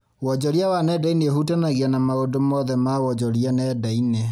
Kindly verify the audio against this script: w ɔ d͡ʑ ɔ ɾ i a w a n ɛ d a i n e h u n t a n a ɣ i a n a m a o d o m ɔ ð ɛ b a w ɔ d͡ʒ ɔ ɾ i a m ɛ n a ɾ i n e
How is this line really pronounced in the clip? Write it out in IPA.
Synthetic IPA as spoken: w ɔ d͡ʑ ɔ ɾ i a w a n ɛ d a i n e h u t a n a ɣ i a n a m a o d o m ɔ ð ɛ m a w ɔ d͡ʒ ɔ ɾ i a n ɛ d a i n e